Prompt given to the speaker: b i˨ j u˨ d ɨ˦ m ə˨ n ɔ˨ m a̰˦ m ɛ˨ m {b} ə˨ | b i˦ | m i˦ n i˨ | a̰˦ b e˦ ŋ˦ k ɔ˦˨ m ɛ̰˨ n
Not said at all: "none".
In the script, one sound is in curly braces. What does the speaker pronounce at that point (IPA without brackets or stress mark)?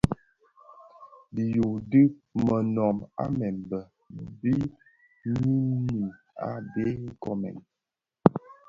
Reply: b